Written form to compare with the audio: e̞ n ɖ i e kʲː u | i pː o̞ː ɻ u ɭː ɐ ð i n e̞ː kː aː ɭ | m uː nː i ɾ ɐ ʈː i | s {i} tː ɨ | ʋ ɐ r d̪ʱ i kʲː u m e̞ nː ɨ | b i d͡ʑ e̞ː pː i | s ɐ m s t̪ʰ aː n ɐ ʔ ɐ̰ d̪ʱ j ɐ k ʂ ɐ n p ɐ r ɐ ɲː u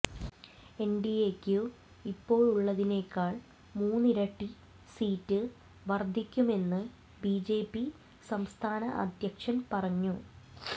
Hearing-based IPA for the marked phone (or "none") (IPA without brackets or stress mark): iː